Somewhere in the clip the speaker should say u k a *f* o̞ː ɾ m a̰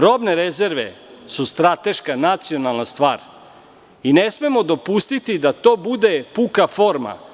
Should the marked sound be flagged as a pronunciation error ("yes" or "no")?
no